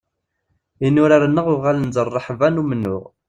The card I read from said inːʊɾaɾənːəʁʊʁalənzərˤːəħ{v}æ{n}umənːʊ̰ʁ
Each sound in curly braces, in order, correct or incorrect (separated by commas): correct, correct